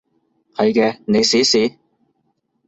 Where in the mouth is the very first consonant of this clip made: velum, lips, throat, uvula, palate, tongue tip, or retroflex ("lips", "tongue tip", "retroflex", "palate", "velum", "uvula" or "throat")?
throat